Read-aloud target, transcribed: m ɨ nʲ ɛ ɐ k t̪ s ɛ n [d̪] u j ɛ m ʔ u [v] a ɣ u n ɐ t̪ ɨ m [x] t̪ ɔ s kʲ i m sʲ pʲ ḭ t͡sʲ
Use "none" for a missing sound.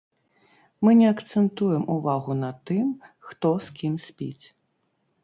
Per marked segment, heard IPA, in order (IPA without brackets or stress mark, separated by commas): t̪, v, x